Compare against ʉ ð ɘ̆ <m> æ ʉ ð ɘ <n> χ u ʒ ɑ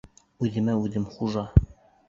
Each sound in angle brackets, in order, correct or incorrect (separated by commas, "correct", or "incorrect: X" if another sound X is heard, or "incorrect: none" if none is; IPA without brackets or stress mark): correct, incorrect: m